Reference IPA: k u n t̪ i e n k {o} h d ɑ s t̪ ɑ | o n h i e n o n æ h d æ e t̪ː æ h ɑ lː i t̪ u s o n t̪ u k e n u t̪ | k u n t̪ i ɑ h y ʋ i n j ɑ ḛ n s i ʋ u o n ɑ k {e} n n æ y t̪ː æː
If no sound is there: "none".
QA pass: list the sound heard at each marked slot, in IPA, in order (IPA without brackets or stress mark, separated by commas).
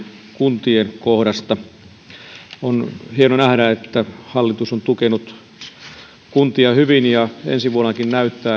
o, i